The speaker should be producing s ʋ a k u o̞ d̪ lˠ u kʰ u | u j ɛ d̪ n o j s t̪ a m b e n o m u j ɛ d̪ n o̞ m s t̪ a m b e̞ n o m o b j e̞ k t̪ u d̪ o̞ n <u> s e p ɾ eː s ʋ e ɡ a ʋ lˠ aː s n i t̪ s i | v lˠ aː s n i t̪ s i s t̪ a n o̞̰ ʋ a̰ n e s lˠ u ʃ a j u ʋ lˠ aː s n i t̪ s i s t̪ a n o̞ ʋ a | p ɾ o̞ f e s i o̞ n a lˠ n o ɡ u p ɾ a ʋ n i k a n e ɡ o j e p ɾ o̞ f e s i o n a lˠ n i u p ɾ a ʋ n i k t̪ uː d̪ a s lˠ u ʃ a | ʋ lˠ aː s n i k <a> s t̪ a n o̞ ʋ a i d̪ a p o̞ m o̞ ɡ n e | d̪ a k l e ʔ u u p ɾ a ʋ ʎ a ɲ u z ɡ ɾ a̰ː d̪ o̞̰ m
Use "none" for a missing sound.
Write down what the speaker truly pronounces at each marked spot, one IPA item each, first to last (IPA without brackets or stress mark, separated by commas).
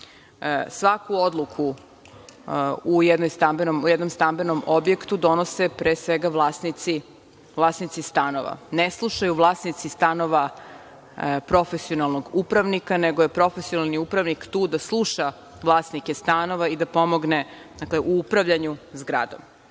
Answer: o, e